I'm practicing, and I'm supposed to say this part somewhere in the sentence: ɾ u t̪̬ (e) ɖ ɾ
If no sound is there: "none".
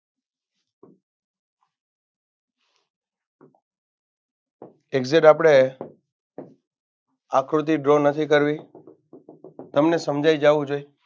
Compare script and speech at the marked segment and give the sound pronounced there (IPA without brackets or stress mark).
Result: i